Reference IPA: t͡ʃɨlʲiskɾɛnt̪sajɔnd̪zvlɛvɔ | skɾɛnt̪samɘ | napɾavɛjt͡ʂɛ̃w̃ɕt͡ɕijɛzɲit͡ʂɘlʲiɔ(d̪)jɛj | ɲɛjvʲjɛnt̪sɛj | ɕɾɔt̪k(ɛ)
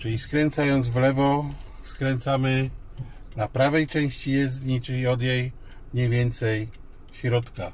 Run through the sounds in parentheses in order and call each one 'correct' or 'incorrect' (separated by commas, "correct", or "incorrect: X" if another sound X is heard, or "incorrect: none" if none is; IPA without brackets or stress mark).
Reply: correct, incorrect: a